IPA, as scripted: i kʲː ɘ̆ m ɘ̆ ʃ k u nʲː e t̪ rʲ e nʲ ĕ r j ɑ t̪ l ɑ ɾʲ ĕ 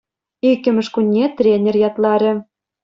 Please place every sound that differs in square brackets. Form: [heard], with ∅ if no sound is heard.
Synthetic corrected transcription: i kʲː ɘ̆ m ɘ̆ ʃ k u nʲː e t̪ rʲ e nʲ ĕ r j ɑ t̪ l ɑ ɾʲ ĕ